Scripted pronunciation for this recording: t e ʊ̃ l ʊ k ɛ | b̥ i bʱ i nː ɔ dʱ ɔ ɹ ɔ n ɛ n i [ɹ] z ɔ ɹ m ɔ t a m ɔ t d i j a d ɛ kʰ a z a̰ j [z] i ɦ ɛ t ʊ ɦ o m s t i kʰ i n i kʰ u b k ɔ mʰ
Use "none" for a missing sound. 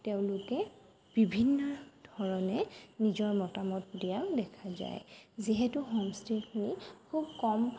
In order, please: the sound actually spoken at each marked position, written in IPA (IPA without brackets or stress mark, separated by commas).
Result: none, z